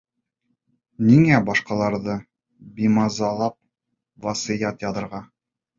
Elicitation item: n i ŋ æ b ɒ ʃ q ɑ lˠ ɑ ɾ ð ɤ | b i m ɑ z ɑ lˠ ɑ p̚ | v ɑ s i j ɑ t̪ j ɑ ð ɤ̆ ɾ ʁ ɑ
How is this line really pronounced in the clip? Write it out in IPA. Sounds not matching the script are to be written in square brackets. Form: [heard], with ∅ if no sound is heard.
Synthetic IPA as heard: n i ŋ æ b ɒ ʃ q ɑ lˠ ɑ ɾ ð ɤ | b i m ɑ z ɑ lˠ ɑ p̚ | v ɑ s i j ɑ t̪ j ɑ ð ɤ̆ ɾ ʁ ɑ